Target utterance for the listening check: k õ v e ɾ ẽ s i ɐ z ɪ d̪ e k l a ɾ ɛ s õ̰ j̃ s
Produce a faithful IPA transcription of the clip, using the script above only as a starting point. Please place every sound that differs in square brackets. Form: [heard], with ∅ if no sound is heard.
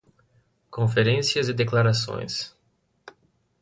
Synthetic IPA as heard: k õ [f] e ɾ ẽ s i ɐ z ɪ d̪ e k l a ɾ [a] s õ̰ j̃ s